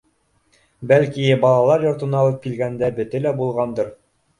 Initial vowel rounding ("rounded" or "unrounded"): unrounded